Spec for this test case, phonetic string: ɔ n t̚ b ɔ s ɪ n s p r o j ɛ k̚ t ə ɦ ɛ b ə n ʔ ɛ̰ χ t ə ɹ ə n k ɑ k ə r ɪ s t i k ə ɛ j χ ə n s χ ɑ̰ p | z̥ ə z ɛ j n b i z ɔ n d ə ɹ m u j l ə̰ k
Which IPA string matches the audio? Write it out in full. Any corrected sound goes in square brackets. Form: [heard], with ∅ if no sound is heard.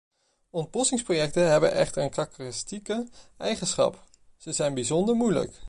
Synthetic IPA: ɔ n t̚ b ɔ s ɪ [ŋ] s p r o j ɛ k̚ t ə ɦ ɛ b ə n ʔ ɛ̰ χ t ə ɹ ə n k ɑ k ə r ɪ s t i k ə ɛ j χ ə n s χ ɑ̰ p | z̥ ə z ɛ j n b i z ɔ n d ə ɹ m u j l ə̰ k